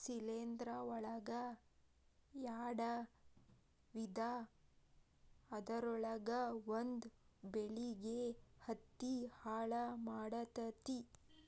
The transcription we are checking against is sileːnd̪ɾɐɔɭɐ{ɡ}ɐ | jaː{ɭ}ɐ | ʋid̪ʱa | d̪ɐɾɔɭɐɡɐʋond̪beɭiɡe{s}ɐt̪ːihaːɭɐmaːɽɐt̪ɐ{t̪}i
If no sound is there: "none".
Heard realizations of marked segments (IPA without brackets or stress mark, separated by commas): ɡ, ɽ, h, t̪